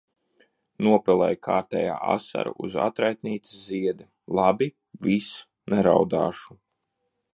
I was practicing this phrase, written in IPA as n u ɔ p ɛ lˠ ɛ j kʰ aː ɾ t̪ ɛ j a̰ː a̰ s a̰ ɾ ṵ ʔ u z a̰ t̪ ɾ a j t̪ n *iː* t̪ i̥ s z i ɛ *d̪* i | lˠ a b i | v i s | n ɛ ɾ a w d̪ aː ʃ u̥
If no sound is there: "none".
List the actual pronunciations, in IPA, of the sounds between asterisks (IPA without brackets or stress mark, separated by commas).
iː, d̪